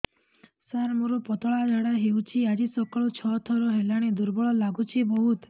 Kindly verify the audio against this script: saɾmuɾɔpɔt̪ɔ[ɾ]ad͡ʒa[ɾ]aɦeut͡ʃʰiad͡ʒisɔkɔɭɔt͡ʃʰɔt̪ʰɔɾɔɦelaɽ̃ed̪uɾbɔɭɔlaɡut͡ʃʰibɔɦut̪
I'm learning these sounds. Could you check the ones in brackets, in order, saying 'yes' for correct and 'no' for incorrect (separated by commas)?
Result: no, no